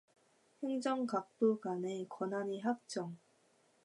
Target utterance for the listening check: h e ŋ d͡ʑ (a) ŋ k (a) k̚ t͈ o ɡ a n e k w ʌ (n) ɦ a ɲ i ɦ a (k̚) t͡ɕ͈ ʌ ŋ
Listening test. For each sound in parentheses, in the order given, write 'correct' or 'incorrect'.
incorrect, correct, correct, correct

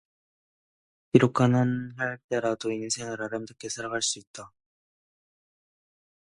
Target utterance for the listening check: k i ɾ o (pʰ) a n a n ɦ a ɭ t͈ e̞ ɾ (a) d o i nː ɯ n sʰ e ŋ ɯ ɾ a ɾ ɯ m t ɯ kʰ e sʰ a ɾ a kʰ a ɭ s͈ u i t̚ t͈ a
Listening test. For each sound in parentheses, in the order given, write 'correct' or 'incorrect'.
incorrect, correct

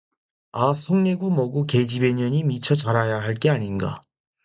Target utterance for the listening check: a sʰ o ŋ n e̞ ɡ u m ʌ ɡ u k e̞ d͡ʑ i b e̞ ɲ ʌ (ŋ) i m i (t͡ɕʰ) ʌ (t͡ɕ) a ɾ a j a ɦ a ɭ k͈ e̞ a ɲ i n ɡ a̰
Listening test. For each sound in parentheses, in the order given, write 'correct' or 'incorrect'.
incorrect, correct, correct

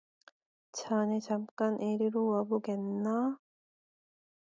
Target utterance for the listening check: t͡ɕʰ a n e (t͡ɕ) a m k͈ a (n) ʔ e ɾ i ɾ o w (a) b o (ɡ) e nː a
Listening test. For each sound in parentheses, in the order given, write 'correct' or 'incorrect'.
correct, correct, correct, correct

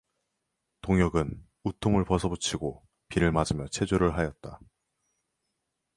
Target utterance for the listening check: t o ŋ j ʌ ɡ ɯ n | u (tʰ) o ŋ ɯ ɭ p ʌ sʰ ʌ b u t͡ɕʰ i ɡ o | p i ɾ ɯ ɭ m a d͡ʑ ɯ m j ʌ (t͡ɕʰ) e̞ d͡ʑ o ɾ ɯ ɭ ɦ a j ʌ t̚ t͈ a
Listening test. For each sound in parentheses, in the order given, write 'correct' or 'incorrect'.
correct, correct

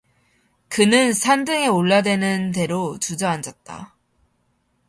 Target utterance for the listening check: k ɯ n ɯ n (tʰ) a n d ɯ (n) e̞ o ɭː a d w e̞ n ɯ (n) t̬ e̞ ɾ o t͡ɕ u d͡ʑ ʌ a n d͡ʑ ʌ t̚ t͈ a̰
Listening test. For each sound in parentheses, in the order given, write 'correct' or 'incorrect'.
incorrect, incorrect, correct

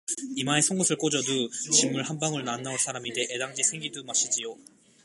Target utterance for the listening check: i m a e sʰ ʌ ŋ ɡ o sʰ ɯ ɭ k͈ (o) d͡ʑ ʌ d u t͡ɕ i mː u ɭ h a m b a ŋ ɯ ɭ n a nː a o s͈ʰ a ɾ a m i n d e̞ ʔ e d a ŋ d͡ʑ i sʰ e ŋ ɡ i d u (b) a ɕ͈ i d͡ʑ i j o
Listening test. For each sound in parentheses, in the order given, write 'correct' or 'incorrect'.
correct, incorrect

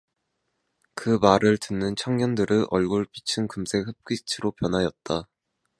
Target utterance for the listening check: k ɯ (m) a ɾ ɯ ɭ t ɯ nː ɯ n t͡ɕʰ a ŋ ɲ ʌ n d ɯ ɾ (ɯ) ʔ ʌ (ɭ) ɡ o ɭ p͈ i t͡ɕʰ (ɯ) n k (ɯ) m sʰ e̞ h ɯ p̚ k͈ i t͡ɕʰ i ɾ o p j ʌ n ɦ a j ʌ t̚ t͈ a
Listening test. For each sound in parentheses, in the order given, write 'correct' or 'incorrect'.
correct, correct, correct, correct, correct

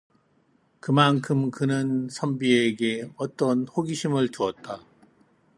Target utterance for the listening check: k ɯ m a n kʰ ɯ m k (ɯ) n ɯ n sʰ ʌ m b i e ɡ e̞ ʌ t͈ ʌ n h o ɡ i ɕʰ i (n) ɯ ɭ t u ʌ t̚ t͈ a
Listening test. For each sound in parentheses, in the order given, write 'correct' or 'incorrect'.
correct, incorrect

